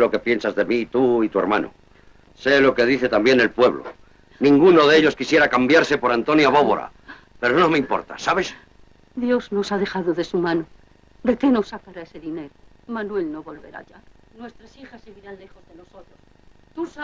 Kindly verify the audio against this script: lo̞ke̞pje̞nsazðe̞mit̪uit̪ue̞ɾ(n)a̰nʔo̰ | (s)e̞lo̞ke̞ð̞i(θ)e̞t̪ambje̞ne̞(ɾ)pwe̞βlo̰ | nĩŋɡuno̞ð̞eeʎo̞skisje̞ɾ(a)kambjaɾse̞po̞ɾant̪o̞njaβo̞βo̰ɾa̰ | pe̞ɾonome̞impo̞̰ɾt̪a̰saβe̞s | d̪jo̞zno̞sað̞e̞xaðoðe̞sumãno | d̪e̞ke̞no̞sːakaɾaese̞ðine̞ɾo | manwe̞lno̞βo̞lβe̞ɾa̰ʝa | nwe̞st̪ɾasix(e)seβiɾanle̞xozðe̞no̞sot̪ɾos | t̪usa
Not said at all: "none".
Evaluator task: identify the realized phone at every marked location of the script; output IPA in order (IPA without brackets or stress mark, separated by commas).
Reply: m, s, θ, l, a, a